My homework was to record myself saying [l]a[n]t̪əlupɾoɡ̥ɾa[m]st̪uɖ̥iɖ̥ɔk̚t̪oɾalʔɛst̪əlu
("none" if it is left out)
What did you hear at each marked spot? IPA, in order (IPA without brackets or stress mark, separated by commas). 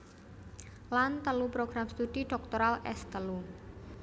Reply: l, n, m